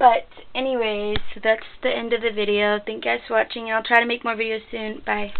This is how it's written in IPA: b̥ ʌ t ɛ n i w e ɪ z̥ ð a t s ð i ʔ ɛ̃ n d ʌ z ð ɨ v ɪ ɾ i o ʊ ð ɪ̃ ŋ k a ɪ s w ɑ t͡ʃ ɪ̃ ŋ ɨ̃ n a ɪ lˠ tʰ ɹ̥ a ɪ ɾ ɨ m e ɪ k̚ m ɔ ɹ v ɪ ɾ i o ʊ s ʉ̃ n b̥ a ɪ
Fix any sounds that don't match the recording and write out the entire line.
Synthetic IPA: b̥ ʌ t ɛ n i w e ɪ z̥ ð æ t s ð i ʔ ɛ̃ n d ʌ v ð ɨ v ɪ ɾ i o ʊ θ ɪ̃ ŋ k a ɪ s w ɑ t͡ʃ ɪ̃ ŋ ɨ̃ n a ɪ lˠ tʰ ɹ̥ a ɪ ɾ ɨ m e ɪ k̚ m ɔ ɹ v ɪ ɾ i o ʊ s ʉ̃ n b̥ a ɪ